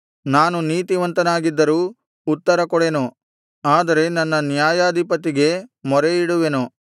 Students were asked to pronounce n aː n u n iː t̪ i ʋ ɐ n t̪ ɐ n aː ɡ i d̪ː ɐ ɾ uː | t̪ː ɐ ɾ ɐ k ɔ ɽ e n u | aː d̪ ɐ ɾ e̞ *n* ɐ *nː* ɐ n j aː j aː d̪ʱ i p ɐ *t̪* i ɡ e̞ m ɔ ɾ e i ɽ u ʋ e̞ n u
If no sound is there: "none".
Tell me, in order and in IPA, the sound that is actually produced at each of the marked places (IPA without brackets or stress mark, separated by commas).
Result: n, nː, t̪